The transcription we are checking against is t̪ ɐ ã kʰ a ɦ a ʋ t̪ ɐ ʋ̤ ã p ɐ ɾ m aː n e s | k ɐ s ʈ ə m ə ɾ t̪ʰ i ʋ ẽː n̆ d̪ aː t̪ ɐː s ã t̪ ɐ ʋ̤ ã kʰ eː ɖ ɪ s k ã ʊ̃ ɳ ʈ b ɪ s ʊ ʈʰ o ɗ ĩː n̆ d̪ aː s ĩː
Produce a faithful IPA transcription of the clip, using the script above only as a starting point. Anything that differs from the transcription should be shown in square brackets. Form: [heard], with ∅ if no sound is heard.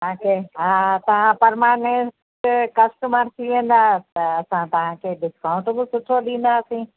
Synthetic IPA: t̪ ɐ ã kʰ [e] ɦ a [∅] t̪ ɐ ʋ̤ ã p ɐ ɾ m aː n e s | k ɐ s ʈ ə m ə ɾ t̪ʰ i ʋ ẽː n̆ d̪ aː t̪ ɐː s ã t̪ ɐ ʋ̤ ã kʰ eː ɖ ɪ s k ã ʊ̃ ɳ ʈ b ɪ s ʊ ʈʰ o ɗ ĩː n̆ d̪ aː s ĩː